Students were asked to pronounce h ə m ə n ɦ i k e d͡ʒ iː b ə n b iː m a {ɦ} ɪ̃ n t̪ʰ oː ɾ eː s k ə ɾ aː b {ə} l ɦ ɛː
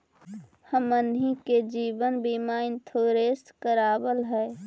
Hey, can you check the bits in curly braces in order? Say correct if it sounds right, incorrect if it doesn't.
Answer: incorrect, correct

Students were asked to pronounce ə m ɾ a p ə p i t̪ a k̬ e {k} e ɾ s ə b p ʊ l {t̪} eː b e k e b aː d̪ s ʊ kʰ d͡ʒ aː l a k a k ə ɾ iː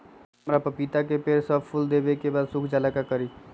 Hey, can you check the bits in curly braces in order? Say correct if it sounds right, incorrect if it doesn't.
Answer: incorrect, incorrect

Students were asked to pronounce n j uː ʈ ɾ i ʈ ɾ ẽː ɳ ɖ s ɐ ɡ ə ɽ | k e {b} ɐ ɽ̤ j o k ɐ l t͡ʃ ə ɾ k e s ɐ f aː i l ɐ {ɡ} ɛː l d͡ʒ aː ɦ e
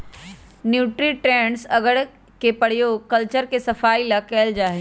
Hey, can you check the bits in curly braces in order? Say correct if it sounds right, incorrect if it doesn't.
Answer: incorrect, incorrect

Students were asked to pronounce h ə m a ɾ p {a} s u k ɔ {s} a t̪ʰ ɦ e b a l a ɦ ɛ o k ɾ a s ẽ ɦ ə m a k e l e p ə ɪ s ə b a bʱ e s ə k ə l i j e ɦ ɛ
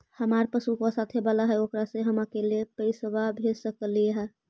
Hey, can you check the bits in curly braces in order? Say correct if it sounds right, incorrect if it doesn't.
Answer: incorrect, correct

